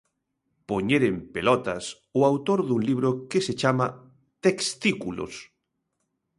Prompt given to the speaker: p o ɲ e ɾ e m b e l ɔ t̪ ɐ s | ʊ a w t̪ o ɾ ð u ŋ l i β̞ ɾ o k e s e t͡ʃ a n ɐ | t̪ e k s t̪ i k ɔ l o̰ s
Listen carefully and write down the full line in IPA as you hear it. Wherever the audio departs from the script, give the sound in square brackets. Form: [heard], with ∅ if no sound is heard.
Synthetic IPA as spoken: p o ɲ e ɾ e m [p] e l ɔ t̪ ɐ s | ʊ a w t̪ o ɾ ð u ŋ l i β̞ ɾ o k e s e t͡ʃ a [m] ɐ | t̪ e k s t̪ i k [u] l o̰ s